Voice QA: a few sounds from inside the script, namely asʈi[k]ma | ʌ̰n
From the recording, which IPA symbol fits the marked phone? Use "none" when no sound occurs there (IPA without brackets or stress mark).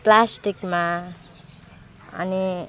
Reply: k